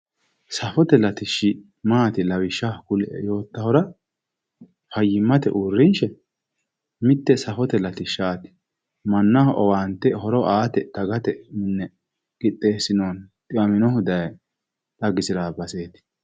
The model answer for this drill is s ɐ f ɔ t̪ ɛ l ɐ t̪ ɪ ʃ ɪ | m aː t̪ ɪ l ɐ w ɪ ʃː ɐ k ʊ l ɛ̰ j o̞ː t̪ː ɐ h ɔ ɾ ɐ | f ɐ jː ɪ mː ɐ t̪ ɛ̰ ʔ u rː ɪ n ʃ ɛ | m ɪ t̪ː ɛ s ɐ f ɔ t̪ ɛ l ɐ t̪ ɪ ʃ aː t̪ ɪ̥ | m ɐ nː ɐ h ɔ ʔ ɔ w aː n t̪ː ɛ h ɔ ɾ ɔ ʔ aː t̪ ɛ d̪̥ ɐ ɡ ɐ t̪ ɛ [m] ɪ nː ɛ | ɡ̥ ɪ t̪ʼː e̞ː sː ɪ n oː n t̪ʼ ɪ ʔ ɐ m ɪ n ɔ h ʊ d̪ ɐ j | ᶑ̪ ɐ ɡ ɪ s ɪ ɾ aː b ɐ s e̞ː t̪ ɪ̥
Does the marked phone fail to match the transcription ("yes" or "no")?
no